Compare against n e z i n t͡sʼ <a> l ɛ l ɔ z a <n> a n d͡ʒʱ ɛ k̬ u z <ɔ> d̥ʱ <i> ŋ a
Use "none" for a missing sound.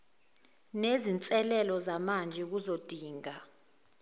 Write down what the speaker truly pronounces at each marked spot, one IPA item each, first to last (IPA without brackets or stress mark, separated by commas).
ɛ, m, o, iː